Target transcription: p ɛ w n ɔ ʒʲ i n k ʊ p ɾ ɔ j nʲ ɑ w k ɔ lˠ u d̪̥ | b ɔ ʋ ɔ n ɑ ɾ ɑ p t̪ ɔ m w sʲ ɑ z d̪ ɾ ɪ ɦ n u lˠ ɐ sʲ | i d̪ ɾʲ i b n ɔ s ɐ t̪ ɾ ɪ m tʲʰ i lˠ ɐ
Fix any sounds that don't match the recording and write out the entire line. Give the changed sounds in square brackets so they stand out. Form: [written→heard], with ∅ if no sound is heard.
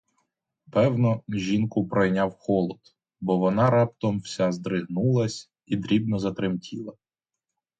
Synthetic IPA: p ɛ w n ɔ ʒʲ i n k ʊ p ɾ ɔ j nʲ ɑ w [k→x] ɔ lˠ [u→ɔ] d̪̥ | b ɔ ʋ ɔ n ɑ ɾ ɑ p t̪ ɔ m w sʲ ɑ z d̪ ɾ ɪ ɦ n u lˠ ɐ sʲ | i d̪ ɾʲ i b n ɔ [s→z] ɐ t̪ ɾ ɪ m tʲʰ i lˠ ɐ

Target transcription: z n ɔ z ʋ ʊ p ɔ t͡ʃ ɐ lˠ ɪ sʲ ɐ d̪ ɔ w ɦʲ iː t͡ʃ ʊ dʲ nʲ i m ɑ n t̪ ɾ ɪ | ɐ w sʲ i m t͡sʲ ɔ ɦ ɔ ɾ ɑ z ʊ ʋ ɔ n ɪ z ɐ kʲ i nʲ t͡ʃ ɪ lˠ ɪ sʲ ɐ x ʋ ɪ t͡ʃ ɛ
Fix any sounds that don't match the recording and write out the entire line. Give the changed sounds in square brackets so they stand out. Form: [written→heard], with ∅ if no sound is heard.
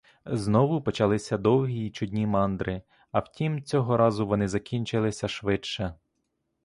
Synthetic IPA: z n ɔ [z→∅] ʋ ʊ p ɔ t͡ʃ ɐ lˠ ɪ sʲ ɐ d̪ ɔ w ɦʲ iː t͡ʃ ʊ dʲ nʲ i m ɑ n [t̪→d̪] ɾ ɪ | ɐ w [sʲ→tʲ] i m t͡sʲ ɔ ɦ ɔ ɾ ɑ z ʊ ʋ ɔ n ɪ z ɐ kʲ i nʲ t͡ʃ ɪ lˠ ɪ sʲ ɐ [x→ʃ] ʋ ɪ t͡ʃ ɛ

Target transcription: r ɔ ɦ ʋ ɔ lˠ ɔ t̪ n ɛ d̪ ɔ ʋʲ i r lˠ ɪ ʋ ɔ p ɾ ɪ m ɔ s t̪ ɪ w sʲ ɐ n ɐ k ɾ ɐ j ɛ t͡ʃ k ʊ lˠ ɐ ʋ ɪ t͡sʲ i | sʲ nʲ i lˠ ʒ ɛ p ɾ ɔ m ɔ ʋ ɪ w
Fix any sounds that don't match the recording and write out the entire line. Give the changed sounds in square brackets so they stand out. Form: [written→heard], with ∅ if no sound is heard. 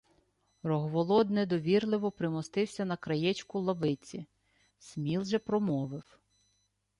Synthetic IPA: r ɔ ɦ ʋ ɔ lˠ ɔ [t̪→d̪] n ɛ d̪ ɔ ʋʲ i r lˠ ɪ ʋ ɔ p ɾ ɪ m ɔ s t̪ ɪ w sʲ ɐ n ɐ k ɾ ɐ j ɛ t͡ʃ k ʊ lˠ ɐ ʋ ɪ t͡sʲ i | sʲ [nʲ→mʲ] i lˠ ʒ ɛ p ɾ ɔ m ɔ ʋ ɪ w

